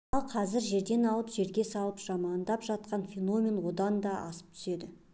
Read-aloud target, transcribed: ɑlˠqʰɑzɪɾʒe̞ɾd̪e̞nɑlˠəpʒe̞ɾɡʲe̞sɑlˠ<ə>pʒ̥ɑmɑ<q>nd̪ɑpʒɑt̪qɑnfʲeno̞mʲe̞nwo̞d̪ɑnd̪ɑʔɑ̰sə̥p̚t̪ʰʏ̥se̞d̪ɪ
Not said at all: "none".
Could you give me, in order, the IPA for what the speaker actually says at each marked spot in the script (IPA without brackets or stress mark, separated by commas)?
ə, none